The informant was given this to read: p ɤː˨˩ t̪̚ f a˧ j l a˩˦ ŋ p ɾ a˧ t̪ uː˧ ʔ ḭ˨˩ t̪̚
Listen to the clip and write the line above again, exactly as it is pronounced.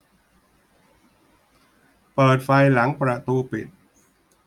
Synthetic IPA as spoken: p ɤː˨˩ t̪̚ f a˧ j l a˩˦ ŋ p ɾ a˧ t̪ uː˧ p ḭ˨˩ t̪̚